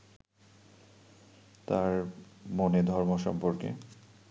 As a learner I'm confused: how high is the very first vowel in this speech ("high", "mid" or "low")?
low